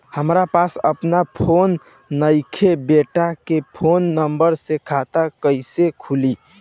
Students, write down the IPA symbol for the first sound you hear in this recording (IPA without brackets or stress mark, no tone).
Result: h